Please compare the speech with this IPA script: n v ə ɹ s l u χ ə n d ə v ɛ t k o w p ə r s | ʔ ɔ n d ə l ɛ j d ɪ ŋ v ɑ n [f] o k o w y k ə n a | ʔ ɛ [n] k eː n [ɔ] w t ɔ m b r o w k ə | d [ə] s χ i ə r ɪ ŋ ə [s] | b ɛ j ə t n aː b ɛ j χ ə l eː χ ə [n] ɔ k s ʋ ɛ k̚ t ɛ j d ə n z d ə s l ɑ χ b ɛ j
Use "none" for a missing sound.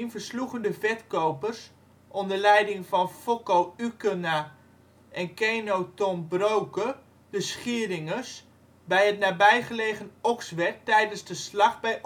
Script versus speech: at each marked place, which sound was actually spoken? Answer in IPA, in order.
f, n, o, ə, s, n

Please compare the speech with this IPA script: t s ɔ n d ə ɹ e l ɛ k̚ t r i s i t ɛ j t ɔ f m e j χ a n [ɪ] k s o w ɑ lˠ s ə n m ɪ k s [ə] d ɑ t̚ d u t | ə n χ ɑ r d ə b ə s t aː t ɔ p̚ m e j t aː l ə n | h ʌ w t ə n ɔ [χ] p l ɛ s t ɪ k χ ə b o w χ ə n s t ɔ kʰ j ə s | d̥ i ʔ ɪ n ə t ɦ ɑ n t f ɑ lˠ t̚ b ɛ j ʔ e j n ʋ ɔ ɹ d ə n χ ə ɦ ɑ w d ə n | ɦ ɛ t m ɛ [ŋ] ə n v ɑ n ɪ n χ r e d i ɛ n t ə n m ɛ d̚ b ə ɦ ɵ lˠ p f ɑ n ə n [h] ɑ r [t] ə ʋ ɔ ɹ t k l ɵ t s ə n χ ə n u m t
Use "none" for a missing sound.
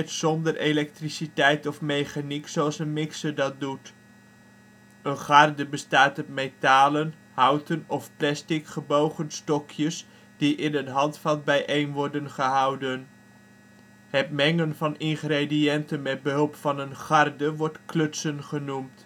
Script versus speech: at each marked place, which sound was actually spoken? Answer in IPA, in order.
i, ə, f, ŋ, χ, d

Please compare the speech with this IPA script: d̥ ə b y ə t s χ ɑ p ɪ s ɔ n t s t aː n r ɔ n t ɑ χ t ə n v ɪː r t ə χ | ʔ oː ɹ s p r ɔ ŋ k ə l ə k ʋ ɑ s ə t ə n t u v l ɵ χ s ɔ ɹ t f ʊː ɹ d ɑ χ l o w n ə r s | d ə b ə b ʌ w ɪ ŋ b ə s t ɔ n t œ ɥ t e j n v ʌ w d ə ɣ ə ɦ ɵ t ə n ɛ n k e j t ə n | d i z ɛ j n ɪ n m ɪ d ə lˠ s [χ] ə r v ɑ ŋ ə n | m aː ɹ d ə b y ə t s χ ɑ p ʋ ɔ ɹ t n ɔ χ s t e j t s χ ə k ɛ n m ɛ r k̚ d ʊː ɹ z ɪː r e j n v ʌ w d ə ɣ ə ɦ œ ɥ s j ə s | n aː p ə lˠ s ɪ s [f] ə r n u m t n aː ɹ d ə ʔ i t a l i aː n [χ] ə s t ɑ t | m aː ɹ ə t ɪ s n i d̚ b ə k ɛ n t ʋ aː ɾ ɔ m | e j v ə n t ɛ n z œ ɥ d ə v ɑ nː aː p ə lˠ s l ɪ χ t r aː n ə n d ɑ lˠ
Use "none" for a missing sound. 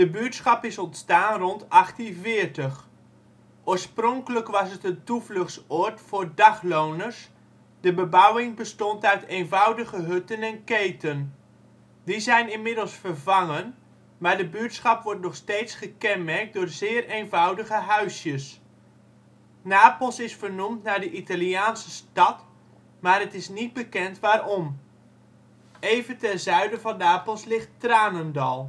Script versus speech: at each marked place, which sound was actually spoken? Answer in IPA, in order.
f, f, s

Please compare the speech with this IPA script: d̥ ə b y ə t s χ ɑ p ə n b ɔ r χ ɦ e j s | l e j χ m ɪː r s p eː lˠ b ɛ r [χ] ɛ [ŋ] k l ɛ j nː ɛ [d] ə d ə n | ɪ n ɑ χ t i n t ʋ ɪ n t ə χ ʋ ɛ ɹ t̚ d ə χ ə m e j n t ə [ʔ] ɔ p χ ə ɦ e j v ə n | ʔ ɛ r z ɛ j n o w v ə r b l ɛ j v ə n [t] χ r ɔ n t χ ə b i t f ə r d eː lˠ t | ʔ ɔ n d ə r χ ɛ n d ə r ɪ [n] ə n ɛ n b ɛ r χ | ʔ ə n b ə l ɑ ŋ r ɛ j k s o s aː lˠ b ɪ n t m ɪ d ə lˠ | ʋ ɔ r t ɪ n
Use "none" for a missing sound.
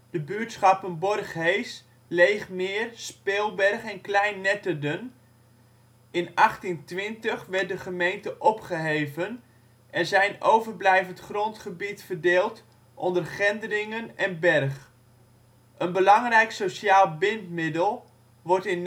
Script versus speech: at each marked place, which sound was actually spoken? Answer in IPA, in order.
χ, n, t, ʔ, t, ŋ

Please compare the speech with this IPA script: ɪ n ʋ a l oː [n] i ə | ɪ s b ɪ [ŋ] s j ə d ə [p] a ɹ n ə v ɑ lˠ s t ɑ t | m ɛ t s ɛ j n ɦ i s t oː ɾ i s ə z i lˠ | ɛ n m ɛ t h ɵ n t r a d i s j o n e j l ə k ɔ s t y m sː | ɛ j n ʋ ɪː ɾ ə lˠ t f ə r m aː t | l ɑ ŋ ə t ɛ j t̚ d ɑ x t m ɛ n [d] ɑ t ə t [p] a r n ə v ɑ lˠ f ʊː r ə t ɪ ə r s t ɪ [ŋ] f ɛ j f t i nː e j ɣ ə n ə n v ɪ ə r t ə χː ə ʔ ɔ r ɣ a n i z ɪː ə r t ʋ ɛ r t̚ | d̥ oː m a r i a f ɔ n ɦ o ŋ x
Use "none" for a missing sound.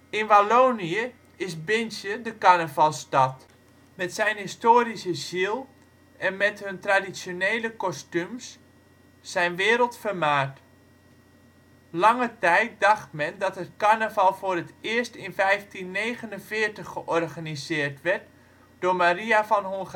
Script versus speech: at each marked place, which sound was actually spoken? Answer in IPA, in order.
n, n, k, d, k, n

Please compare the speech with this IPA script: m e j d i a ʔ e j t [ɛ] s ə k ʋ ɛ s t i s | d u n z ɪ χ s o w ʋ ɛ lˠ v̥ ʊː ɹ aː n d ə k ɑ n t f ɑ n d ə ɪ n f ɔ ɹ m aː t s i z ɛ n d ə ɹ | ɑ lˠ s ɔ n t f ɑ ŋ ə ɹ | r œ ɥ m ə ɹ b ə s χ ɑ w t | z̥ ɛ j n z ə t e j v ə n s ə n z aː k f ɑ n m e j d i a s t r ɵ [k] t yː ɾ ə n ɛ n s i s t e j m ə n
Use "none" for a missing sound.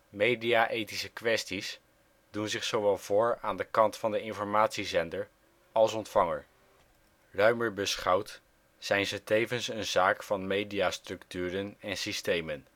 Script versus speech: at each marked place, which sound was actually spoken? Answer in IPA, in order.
i, k

